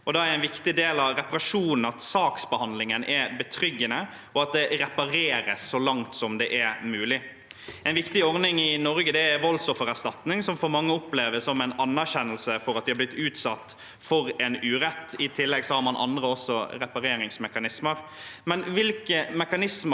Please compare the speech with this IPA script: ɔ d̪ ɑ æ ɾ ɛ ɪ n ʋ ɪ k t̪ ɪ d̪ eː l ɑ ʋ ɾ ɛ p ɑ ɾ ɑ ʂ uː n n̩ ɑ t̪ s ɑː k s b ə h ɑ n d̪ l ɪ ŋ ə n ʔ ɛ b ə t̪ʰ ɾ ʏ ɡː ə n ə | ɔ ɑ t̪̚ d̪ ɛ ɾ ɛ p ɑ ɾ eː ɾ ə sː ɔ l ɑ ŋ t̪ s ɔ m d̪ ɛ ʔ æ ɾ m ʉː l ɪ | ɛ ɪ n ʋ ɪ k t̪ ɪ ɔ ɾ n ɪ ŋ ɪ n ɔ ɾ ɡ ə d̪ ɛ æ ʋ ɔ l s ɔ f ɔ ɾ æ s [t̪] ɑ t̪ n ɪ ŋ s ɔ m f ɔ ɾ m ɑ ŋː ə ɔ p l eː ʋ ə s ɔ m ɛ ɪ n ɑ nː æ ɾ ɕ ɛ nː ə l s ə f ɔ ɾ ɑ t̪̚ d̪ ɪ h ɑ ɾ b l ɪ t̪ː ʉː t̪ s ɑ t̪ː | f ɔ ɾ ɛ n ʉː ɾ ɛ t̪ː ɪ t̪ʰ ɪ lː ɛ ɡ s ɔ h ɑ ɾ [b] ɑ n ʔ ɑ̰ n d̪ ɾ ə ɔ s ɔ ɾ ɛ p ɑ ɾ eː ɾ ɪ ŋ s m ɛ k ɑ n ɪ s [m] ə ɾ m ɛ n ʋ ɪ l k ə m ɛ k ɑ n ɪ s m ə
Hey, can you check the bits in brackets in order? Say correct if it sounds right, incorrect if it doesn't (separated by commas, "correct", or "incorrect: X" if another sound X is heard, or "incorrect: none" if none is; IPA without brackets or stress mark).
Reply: correct, incorrect: m, correct